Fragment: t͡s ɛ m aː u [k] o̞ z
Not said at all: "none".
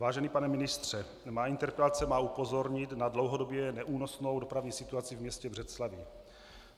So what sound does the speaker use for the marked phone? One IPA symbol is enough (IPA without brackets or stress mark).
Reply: p